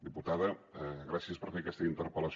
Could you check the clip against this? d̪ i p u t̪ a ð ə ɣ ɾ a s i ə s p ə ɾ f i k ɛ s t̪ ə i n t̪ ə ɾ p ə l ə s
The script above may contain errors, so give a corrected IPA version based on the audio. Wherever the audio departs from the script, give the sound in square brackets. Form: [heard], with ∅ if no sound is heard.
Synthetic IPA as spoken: d̪ i p u t̪ a ð ə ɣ ɾ a s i ə s p ə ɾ f [e] k ɛ s t̪ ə i n t̪ ə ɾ p ə l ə s